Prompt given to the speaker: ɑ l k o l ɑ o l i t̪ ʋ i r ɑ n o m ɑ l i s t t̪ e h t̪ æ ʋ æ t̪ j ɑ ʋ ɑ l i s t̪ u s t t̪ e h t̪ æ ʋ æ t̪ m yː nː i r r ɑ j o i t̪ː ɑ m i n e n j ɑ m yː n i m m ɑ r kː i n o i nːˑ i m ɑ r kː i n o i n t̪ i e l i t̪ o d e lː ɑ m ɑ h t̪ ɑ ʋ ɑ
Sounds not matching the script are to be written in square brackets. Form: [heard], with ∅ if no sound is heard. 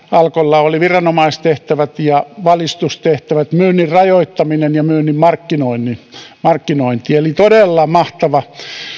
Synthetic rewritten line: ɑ l k o [lː] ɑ o l i [∅] ʋ i r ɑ n o m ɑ [∅] i s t t̪ e h t̪ æ ʋ æ t̪ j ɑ ʋ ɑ l i s t̪ u s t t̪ e h t̪ æ ʋ æ t̪ m yː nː i r r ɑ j o i t̪ː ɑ m i n e n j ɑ m yː n i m m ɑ r kː i n o i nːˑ i m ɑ r kː i n o i n t̪ i e l i t̪ o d e lː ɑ m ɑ h t̪ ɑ ʋ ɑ